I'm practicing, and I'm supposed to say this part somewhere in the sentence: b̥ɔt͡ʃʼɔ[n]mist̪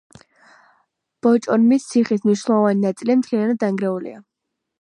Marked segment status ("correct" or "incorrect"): correct